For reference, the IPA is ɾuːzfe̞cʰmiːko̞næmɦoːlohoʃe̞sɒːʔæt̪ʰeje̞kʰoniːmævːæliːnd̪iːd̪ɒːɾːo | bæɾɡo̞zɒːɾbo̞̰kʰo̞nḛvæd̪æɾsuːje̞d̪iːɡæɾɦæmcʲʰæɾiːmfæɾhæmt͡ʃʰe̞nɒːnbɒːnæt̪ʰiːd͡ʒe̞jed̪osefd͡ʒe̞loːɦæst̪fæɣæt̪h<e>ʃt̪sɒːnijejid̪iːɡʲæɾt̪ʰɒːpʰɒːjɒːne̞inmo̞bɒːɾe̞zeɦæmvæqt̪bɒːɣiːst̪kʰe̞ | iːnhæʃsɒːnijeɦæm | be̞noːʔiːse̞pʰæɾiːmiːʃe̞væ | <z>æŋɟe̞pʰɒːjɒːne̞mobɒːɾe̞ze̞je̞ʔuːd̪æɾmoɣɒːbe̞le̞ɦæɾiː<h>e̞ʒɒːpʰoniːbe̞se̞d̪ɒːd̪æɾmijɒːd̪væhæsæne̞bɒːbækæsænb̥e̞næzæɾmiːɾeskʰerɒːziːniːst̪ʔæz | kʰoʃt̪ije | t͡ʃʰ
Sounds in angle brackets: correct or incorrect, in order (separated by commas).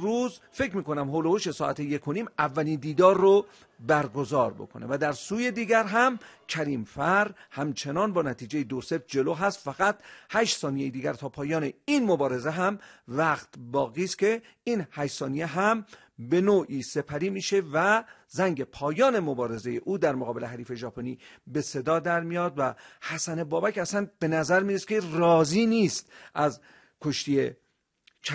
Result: incorrect, correct, incorrect